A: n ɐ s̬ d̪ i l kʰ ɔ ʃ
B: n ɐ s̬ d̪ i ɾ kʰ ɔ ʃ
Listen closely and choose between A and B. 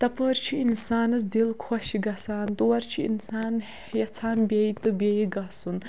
A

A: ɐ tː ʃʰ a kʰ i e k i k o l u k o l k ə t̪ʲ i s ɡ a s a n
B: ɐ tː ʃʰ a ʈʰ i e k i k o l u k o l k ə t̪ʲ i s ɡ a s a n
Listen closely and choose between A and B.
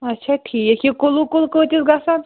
B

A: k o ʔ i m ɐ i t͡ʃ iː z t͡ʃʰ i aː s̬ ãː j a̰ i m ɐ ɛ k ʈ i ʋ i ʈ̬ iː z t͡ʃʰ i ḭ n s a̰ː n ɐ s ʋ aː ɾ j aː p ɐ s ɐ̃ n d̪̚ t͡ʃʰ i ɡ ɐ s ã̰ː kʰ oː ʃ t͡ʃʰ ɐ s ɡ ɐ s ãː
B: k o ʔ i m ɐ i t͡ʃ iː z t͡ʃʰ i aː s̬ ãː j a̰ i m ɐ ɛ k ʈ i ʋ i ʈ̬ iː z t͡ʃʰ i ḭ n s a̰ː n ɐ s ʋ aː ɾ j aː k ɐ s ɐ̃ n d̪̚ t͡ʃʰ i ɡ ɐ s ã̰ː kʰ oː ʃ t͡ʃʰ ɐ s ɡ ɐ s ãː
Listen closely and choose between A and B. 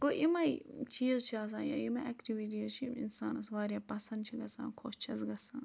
A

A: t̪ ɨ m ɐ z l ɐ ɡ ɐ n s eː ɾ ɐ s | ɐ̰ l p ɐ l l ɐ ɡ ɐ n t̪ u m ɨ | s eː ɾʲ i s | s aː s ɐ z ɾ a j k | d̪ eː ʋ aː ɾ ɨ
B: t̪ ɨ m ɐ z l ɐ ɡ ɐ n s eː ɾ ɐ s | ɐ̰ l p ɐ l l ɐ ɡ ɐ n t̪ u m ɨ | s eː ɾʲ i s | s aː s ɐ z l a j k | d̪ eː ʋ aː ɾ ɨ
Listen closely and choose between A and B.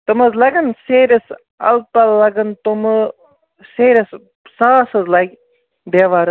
B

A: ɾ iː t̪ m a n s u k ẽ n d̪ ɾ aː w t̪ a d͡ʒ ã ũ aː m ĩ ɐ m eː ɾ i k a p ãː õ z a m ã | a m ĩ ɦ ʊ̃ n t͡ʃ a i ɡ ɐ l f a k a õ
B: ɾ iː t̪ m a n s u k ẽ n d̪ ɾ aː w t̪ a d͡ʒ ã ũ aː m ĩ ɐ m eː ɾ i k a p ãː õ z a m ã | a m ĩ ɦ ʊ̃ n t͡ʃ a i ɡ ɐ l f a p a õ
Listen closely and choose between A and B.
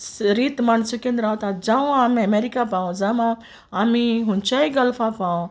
B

